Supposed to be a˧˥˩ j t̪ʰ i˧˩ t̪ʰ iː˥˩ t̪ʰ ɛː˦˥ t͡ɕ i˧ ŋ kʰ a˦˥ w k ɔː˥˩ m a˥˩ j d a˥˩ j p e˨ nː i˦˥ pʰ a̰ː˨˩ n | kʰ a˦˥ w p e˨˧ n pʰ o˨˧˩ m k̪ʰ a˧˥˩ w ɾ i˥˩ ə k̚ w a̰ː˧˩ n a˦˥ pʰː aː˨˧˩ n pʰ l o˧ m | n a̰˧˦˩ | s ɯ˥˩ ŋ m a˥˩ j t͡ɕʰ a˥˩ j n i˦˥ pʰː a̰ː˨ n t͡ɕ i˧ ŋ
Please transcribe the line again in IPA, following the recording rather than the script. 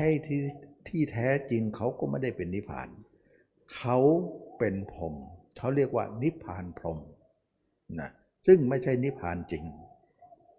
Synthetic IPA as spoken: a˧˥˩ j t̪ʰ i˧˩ t̪ʰ iː˥˩ t̪ʰ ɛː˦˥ t͡ɕ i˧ ŋ kʰ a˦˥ w k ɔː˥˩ m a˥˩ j d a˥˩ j p e˨ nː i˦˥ pʰ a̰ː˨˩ n | kʰ a˦˥ w p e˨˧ n pʰ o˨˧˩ m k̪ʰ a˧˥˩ w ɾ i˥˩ ə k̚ w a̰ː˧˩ n i˦˥ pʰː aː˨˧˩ n pʰ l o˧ m | n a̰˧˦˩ | s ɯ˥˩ ŋ m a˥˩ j t͡ɕʰ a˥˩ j n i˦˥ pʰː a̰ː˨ n t͡ɕ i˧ ŋ